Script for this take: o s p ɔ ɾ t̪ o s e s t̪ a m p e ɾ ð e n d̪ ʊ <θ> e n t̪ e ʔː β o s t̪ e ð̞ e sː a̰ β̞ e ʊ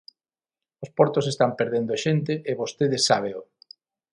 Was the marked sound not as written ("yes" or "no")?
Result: yes